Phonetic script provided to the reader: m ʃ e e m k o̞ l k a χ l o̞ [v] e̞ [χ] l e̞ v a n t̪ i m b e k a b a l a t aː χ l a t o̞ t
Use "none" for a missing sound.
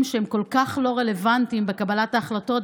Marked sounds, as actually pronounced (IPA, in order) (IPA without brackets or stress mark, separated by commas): ʁ, none